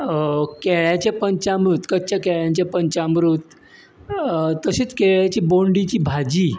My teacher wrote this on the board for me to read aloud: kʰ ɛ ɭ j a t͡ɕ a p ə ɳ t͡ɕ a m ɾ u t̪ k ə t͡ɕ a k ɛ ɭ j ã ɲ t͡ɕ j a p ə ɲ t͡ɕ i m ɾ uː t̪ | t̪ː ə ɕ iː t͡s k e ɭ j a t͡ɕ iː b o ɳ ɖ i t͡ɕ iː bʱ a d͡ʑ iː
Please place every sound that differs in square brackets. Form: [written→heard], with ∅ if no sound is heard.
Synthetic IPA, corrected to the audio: [kʰ→k] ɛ ɭ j a t͡ɕ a p ə [ɳ→ɲ] t͡ɕ a m ɾ u t̪ k ə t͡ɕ a k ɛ ɭ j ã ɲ t͡ɕ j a p ə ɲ t͡ɕ [i→a] m ɾ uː t̪ | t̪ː ə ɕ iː t͡s k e ɭ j a t͡ɕ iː b o ɳ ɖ i t͡ɕ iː bʱ a d͡ʑ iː

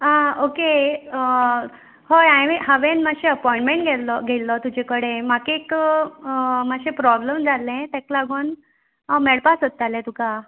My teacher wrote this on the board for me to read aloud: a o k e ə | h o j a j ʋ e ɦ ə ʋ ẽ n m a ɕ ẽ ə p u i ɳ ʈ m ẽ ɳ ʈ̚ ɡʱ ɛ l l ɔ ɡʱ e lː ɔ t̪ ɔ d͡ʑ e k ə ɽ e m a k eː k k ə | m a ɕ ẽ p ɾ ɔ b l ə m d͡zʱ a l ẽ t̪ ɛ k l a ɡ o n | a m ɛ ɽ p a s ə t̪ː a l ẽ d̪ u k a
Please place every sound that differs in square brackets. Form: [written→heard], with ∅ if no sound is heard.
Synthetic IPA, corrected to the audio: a o k e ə | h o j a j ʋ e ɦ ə ʋ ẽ n m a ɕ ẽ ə p [u→ɔ] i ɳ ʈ m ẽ ɳ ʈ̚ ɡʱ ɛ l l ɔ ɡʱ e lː ɔ t̪ [ɔ→u] d͡ʑ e k ə ɽ e m a k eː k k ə | m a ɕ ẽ p ɾ ɔ b l ə m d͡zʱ a l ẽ t̪ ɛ k l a ɡ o n | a m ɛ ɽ p a s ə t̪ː a l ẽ [d̪→t̪] u k a

